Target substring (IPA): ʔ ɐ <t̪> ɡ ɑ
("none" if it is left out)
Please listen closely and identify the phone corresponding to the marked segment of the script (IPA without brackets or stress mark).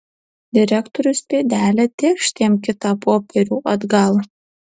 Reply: d̪